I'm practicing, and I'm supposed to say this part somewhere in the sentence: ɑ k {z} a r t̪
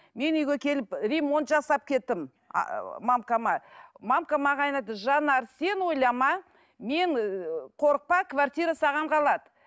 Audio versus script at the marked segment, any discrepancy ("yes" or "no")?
yes